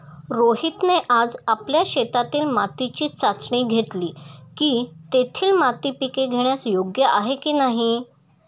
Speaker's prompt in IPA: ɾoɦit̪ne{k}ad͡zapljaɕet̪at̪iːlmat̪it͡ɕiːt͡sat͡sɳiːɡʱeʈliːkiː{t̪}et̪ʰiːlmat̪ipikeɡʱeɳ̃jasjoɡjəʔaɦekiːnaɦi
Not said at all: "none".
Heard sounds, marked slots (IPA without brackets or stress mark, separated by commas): ʔ, t̪